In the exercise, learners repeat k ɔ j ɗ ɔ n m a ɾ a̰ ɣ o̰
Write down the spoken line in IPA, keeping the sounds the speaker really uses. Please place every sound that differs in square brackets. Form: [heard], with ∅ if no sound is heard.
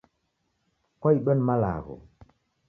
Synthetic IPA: k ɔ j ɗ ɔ n m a [l] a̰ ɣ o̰

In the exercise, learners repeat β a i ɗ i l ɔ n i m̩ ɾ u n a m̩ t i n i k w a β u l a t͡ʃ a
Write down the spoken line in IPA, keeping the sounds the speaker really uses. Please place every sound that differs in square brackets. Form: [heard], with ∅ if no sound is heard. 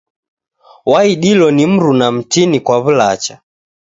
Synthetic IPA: [w] a i ɗ i l ɔ n i m̩ ɾ u n a m̩ t i n i k w a β u l a t͡ʃ a

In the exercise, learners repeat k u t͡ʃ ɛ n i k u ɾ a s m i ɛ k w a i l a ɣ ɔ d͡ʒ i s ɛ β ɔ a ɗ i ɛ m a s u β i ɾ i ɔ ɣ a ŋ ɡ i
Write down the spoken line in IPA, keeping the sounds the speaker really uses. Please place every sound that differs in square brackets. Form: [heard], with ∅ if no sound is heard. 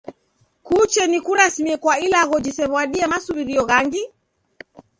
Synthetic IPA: k u t͡ʃ ɛ n i k u ɾ a s m i ɛ k w a i l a ɣ ɔ d͡ʒ i s ɛ β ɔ a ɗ i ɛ m a s u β i ɾ i ɔ ɣ a ŋ ɡ i

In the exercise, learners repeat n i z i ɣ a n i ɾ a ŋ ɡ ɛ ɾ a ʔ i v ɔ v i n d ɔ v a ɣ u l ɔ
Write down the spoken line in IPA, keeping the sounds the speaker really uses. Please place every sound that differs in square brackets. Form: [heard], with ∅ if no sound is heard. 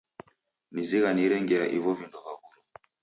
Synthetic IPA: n i z i ɣ a n i ɾ [ɛ] ŋ ɡ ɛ ɾ a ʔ i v ɔ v i n d ɔ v a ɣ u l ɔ

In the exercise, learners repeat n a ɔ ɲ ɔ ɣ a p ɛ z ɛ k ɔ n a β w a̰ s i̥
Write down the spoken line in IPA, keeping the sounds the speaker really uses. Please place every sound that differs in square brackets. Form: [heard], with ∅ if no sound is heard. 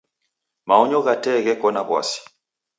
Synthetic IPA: [m] a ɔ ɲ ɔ ɣ a [t] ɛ [ɣ] ɛ k ɔ n a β w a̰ s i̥

